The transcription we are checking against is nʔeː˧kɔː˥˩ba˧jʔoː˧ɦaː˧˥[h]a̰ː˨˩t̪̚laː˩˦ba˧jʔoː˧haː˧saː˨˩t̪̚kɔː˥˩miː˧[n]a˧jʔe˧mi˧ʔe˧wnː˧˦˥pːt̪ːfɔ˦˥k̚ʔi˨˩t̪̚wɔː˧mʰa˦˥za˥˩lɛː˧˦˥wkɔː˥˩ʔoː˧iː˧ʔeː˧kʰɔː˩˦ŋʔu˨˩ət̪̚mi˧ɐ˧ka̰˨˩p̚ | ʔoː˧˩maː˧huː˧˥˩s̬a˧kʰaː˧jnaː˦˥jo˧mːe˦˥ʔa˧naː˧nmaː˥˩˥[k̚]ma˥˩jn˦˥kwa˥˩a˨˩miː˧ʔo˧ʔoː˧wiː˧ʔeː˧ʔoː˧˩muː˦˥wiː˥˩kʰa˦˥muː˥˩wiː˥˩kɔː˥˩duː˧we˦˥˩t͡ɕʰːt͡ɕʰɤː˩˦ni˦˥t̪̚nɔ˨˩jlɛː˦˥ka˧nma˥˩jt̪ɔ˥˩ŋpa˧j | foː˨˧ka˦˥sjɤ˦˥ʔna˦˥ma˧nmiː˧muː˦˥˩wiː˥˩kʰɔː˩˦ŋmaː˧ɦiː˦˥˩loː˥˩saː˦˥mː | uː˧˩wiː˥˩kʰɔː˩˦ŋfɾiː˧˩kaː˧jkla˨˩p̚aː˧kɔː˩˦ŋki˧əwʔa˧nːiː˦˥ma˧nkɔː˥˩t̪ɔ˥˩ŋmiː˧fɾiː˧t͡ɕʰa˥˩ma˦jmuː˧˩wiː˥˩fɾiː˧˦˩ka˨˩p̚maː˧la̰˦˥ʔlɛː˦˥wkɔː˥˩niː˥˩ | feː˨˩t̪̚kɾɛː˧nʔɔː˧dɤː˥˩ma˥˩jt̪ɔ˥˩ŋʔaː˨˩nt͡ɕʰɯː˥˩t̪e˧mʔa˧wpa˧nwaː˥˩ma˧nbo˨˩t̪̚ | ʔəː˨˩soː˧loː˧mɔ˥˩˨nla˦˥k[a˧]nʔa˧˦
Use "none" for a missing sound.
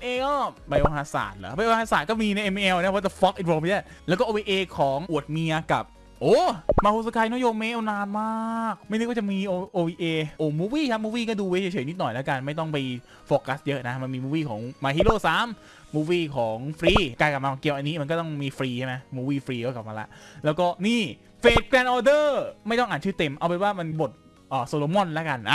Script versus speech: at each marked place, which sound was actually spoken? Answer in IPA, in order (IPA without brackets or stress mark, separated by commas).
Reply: s, n, k̚, a˧